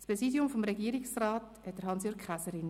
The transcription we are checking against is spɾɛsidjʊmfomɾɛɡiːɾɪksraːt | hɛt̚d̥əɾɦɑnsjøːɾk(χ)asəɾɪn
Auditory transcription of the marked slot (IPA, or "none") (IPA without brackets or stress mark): χ